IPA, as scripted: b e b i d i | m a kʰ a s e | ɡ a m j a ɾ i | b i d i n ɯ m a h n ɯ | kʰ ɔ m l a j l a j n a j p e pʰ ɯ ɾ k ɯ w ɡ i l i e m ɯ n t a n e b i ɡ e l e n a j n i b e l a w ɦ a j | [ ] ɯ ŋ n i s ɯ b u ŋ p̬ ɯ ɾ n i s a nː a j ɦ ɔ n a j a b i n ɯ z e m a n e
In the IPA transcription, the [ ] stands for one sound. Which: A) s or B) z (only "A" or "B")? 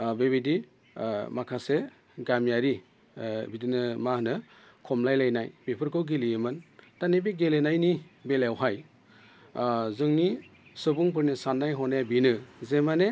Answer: B